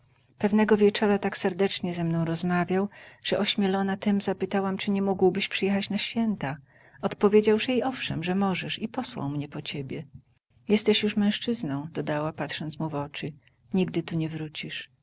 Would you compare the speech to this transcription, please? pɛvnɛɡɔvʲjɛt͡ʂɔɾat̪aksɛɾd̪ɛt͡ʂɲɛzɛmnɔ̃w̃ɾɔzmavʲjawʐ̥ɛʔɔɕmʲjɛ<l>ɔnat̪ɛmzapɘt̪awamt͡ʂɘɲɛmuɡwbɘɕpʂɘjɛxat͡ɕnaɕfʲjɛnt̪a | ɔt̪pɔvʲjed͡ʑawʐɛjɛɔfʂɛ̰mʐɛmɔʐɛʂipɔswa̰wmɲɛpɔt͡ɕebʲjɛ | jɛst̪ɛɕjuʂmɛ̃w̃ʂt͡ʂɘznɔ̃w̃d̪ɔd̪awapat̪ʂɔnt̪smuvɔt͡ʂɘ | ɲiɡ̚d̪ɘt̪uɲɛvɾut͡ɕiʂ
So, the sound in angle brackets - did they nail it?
yes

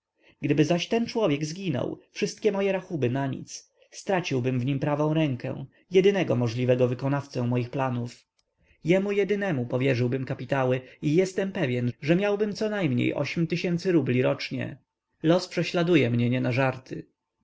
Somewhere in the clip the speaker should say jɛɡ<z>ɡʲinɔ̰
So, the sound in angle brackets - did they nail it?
yes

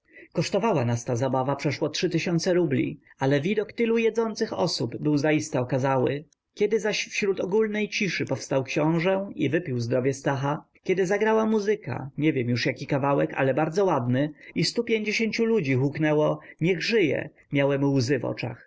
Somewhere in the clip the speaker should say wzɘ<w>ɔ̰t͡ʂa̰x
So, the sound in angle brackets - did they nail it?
no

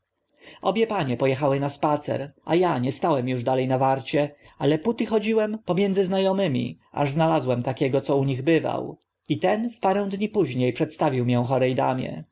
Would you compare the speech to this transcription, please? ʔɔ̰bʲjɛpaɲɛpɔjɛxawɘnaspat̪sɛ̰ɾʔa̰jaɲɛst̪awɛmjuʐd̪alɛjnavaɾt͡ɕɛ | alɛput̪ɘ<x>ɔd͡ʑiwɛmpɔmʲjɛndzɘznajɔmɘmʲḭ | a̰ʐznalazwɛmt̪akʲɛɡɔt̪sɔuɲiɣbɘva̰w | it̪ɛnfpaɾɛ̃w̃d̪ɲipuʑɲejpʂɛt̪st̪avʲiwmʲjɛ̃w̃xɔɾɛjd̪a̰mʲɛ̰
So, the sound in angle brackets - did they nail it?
yes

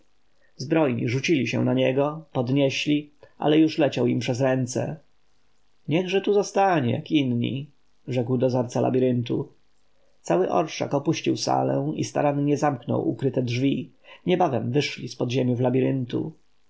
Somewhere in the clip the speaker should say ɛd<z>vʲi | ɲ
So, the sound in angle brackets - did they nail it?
no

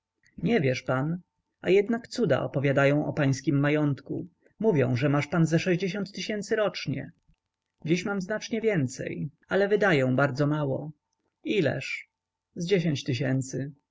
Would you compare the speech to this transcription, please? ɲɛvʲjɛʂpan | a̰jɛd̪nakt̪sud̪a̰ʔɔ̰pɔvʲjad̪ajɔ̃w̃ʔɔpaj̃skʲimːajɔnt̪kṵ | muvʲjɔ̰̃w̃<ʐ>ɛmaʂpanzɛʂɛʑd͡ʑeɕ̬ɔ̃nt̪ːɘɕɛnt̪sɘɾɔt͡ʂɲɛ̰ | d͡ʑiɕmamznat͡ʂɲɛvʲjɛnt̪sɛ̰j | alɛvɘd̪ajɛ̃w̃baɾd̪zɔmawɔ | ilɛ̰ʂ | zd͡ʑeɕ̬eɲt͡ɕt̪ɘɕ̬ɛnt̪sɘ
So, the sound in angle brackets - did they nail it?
yes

